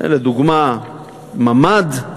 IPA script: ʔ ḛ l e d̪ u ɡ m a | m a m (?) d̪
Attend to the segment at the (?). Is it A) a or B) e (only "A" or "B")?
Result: A